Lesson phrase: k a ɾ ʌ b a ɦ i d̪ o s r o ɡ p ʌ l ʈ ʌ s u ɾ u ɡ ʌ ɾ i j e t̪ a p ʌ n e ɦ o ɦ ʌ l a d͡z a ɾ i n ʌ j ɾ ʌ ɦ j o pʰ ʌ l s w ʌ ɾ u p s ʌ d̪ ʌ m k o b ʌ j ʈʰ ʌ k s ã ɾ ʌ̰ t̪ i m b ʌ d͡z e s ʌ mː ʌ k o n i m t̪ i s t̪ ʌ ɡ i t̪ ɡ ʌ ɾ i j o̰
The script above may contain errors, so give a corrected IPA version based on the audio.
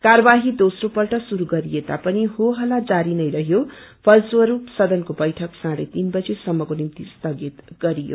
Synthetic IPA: k a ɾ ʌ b a ɦ i d̪ o s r o p ʌ l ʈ ʌ s u ɾ u ɡ ʌ ɾ i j e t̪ a p ʌ n i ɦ o ɦ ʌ l a d͡z a ɾ i n ʌ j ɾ ʌ ɦ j o pʰ ʌ l s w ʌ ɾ u p s ʌ d̪ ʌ n k o b ʌ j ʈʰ ʌ k s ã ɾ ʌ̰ t̪ i n b ʌ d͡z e s ʌ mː ʌ k o n i m t̪ i s t̪ ʌ ɡ i t̪ ɡ ʌ ɾ i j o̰